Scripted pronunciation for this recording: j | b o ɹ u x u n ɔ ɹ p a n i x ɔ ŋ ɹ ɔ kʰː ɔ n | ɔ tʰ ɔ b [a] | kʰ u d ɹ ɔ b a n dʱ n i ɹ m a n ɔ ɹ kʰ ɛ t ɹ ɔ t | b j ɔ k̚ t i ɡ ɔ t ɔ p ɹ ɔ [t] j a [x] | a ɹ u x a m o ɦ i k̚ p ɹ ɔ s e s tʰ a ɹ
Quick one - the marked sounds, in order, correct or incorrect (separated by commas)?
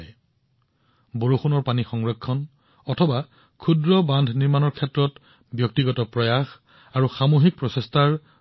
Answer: correct, incorrect, correct